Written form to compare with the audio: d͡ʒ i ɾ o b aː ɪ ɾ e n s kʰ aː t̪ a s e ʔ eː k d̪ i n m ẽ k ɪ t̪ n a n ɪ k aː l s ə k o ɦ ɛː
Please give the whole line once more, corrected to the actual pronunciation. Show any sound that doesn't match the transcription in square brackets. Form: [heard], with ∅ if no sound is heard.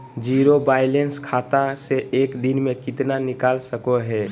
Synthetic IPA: d͡ʒ i ɾ o b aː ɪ [l] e n s kʰ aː t̪ a s e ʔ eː k d̪ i n m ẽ k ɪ t̪ n a n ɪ k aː l s ə k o ɦ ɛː

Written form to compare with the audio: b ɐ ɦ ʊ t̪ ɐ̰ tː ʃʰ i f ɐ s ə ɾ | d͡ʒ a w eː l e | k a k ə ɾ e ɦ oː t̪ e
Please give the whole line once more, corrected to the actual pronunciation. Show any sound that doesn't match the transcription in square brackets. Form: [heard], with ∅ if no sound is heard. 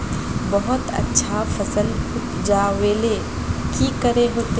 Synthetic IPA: b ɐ ɦ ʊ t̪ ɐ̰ tː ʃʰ [a] f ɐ s ə [l] | d͡ʒ a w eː l e | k [i] k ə ɾ e ɦ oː t̪ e

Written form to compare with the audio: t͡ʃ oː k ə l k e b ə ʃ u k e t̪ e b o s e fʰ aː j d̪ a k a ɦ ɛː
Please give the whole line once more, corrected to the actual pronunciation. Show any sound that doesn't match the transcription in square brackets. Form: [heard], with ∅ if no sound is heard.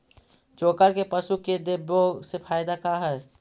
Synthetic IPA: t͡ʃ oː k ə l k e [p] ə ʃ u k e [d̪] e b o s e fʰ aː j d̪ a k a ɦ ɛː

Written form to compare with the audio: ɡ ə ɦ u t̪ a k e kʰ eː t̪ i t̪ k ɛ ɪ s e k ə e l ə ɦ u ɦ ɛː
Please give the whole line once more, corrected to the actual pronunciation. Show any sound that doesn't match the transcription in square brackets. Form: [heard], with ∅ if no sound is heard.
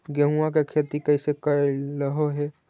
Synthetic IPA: ɡ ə ɦ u [∅] a k e kʰ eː t̪ i [∅] k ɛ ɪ s e k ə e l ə ɦ [o] ɦ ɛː

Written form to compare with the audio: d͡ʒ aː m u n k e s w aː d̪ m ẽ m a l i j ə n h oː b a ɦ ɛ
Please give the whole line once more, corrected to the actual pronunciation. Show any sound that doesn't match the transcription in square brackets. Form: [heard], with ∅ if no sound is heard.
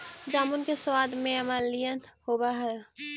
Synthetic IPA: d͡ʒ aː m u n k e s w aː d̪ m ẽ m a l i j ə n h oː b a ɦ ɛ

